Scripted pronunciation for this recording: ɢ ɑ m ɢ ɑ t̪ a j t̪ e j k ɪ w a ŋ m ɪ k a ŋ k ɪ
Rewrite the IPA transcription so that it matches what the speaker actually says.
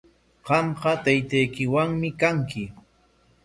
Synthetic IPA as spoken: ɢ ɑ m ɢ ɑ t̪ a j t̪ a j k ɪ w a ŋ m ɪ k a ŋ k ɪ